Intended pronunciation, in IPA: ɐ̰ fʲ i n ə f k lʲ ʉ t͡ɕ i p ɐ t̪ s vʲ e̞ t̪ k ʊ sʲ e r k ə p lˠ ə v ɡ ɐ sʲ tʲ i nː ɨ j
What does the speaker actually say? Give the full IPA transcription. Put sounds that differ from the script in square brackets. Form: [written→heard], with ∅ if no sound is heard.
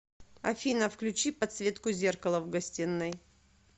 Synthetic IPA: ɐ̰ fʲ i n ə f k lʲ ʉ t͡ɕ i p ɐ t̪ s vʲ e̞ t̪ k ʊ [sʲ→zʲ] e r k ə [p→∅] lˠ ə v ɡ ɐ sʲ tʲ i nː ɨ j